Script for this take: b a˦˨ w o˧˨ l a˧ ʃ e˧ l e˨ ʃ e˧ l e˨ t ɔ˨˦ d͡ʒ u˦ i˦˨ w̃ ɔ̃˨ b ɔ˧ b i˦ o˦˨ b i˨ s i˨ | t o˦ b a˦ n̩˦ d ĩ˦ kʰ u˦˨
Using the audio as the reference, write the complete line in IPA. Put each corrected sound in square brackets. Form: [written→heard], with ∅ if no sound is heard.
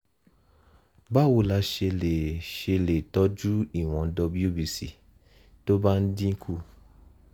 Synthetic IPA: b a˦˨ w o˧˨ l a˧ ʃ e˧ l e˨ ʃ e˧ l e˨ t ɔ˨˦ d͡ʒ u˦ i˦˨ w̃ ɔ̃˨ [b→d] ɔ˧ b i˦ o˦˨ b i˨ s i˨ | t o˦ b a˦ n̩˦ d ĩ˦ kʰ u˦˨